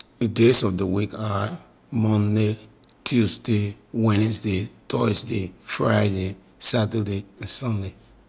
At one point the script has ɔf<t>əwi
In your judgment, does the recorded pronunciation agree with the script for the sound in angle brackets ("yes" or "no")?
no